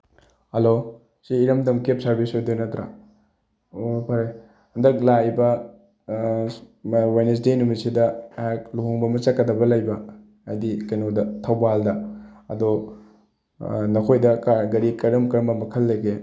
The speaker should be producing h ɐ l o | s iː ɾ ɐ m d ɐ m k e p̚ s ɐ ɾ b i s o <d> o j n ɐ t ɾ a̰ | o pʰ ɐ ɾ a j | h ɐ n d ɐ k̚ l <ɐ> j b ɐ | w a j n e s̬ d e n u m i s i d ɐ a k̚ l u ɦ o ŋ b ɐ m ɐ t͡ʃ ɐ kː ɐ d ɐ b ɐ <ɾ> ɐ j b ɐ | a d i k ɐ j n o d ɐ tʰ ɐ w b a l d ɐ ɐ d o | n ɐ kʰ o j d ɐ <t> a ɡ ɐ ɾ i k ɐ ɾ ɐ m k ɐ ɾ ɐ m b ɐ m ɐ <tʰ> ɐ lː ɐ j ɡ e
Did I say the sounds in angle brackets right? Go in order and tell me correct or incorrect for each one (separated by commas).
correct, incorrect, incorrect, incorrect, incorrect